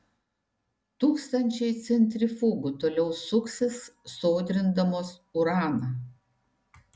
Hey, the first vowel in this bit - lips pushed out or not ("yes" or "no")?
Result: yes